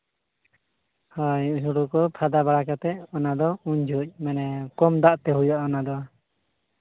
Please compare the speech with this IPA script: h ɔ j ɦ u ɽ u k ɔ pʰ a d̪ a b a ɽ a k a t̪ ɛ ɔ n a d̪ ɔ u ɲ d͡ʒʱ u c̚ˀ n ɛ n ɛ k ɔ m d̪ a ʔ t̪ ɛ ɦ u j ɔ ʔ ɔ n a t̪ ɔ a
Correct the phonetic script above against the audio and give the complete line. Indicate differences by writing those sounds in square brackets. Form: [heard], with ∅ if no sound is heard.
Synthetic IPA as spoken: h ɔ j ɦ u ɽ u k ɔ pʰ a d̪ a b a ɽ a k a t̪ ɛ ɔ n a d̪ ɔ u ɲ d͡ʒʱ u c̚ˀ [m] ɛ n ɛ k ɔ m d̪ a ʔ t̪ ɛ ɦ u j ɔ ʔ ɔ n a [d̪] ɔ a